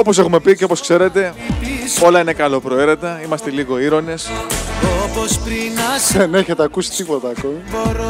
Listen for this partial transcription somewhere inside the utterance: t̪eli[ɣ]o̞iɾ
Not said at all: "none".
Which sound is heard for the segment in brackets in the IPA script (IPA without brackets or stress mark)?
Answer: ɣ